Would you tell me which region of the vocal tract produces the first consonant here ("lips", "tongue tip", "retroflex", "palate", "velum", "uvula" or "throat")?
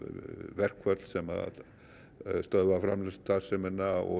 lips